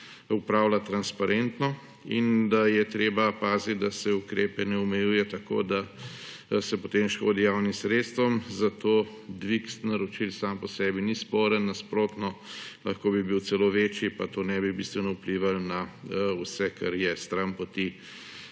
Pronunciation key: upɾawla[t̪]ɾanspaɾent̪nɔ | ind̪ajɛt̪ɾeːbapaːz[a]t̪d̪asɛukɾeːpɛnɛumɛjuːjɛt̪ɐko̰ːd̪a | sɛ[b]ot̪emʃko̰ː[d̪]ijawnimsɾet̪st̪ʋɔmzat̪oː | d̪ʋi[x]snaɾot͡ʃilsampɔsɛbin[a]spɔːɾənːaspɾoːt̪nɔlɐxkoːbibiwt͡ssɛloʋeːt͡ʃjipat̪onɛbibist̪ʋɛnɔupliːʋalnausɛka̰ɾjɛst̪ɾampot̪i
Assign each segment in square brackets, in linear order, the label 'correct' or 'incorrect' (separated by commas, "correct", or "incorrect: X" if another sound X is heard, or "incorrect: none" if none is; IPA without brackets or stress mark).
correct, incorrect: i, incorrect: p, correct, incorrect: k, incorrect: i